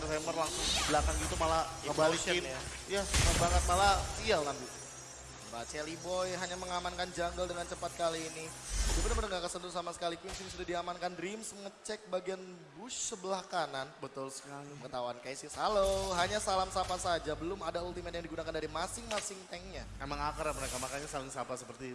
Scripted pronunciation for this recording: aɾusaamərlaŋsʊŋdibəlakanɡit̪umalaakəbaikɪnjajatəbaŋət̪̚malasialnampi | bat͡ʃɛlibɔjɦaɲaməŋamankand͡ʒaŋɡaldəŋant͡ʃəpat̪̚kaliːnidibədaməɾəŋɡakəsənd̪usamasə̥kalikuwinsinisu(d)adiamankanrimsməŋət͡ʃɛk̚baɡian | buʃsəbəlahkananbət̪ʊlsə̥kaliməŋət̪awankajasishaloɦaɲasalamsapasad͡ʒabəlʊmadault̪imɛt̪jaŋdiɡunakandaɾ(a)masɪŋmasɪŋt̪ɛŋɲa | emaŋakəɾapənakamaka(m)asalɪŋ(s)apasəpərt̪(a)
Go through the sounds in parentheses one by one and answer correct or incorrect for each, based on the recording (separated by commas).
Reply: correct, incorrect, incorrect, correct, incorrect